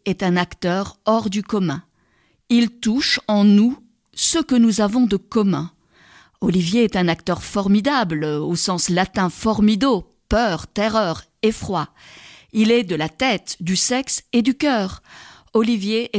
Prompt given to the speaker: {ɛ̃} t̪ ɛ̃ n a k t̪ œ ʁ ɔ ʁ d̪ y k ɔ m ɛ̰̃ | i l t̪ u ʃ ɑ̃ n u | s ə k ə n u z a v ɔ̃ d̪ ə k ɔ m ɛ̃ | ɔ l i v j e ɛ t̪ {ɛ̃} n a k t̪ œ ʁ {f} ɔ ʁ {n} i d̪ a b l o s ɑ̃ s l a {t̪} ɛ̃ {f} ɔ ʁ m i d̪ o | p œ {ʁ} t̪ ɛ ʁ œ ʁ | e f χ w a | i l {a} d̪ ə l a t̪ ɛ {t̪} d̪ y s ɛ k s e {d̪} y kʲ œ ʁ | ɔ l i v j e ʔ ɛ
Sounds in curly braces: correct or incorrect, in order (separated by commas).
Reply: incorrect, correct, correct, incorrect, correct, correct, correct, incorrect, correct, correct